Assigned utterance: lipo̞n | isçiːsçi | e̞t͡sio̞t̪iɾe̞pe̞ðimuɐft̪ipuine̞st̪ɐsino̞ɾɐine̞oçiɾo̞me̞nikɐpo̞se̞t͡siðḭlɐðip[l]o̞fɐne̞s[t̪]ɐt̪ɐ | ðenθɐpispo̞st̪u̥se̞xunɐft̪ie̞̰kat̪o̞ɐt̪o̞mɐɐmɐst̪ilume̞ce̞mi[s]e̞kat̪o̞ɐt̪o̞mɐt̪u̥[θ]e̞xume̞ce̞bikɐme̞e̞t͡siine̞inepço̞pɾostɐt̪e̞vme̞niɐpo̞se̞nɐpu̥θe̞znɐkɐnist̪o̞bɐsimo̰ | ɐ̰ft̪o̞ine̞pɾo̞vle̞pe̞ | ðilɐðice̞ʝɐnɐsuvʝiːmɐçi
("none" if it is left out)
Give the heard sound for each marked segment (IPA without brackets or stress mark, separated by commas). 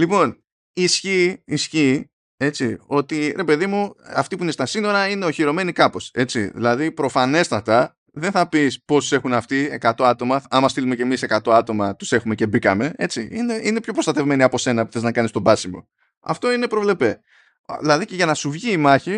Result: ɾ, t̪, s, s